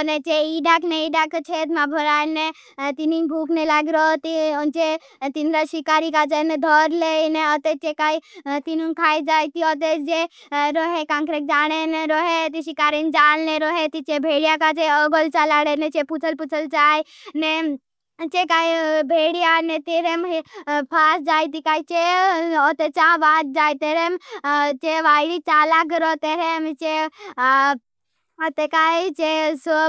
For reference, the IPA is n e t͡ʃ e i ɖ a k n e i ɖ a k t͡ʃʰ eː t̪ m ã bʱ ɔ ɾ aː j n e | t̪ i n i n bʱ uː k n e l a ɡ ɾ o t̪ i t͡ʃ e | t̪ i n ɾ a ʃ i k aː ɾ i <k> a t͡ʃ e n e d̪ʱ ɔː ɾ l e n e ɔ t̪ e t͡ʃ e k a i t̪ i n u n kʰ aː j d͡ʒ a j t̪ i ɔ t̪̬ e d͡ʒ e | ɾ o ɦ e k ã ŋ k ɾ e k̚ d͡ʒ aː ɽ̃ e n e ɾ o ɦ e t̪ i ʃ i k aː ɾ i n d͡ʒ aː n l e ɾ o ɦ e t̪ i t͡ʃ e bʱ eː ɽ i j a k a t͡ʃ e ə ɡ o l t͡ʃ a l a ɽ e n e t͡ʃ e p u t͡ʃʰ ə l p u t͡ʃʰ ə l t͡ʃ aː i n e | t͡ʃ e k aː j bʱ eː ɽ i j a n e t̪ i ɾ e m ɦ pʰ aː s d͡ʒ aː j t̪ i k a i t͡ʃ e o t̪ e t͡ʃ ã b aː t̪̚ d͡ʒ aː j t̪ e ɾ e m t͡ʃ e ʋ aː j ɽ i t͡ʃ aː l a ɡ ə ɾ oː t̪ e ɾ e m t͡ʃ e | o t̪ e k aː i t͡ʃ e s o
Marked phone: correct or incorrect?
correct